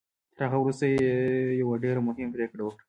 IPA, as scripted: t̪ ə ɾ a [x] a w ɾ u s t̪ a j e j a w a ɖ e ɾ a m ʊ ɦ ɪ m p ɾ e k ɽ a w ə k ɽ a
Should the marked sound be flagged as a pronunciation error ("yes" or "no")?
yes